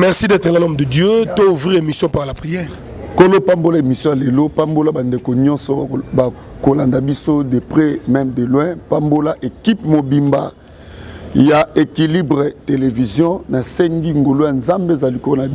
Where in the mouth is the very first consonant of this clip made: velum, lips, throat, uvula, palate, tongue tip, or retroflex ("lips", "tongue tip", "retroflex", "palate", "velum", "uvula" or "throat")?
lips